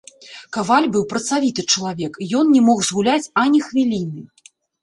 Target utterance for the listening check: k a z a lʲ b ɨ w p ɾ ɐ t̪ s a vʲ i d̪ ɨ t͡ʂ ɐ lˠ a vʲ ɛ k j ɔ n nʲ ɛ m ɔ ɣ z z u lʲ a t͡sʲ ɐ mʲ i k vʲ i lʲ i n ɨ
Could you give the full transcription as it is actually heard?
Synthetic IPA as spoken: k a v a lʲ b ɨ w p ɾ ɐ t̪ s a vʲ i t̪ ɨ t͡ʂ ɐ lˠ a vʲ ɛ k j ɔ n nʲ ɛ m ɔ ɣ z ɣ u lʲ a t͡sʲ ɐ nʲ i x vʲ i lʲ i n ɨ